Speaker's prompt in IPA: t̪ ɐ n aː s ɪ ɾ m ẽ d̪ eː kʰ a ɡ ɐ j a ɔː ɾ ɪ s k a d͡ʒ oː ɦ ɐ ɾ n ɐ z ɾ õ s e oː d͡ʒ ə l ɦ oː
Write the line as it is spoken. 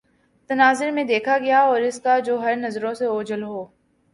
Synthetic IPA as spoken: t̪ ɐ n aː z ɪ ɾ m ẽ d̪ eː kʰ a ɡ ɐ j a ɔː ɾ ɪ s k a d͡ʒ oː ɦ ɐ ɾ n ɐ z ɾ õ s e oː d͡ʒ ə l ɦ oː